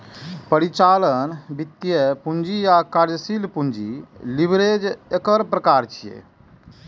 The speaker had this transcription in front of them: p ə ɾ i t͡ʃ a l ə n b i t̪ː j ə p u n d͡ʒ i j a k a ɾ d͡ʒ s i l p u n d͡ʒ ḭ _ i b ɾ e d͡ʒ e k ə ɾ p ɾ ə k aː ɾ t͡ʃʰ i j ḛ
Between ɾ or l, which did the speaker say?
l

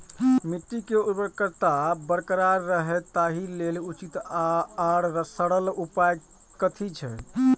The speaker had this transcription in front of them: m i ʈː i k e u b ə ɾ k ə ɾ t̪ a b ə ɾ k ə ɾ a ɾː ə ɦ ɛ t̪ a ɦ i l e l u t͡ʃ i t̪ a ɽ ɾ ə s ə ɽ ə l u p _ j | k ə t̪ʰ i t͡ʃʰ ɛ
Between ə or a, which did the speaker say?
a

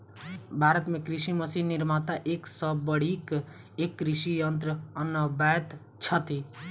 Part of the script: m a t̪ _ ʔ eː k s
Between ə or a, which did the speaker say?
a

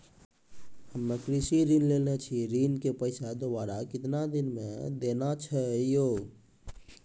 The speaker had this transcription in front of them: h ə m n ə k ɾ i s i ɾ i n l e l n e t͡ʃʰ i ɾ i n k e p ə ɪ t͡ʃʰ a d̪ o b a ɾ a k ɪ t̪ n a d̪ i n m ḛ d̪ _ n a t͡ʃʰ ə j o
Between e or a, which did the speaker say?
e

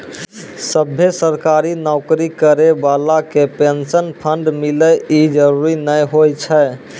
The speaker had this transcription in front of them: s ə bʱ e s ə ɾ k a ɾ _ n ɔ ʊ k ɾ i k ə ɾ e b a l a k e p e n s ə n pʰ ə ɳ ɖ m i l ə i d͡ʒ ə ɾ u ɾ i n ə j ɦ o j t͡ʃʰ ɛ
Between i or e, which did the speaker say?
i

